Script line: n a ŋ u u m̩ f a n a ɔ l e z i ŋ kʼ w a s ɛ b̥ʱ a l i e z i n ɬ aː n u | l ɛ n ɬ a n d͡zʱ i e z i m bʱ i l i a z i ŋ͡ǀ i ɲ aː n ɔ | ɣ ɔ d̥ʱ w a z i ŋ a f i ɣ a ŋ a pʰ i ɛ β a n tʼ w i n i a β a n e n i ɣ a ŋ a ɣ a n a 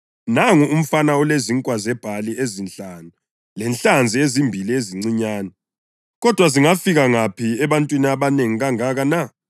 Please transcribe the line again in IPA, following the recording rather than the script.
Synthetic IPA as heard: n a ŋ u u m̩ f a n a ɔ l e z i ŋ kʼ w a z ɛ b̥ʱ a l i e z i n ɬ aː n u | l ɛ n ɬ a n d͡zʱ i e z i m bʱ i l i e z i ŋ͡ǀ i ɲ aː n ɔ | ɣ ɔ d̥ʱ w a z i ŋ a f i ɣ a ŋ a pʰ i ɛ β a n tʼ w i n i a β a n e ŋ i ɣ a ŋ a ɣ a n a